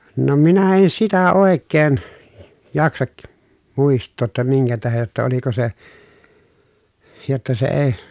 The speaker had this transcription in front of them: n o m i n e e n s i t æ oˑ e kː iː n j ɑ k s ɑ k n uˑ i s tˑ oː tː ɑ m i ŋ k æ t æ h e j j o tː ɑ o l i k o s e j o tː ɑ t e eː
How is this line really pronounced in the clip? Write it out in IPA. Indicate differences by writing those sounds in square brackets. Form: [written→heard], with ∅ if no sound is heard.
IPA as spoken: n o m i n [e→æ] e n s i t æ oˑ e kː [iː→eː] n j ɑ k s ɑ k [n→m] uˑ i s tˑ oː tː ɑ m i ŋ k æ t æ h e j j o tː ɑ o l i k o s e j o tː ɑ [t→s] e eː